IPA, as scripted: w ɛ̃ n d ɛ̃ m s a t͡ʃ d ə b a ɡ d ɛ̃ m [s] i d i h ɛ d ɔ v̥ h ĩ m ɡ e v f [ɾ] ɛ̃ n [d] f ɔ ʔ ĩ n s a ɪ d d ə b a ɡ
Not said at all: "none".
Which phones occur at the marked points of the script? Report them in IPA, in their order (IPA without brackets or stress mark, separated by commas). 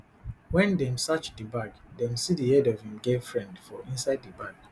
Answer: s, ɹ, d